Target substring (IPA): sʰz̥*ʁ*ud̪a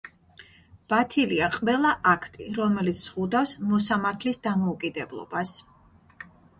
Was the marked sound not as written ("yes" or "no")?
no